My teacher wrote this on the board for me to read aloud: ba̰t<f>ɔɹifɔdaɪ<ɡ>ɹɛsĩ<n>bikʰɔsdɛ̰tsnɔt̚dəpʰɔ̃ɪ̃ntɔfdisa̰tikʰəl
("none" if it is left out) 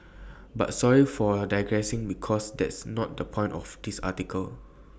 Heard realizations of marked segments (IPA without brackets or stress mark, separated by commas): s, ɡ, ŋ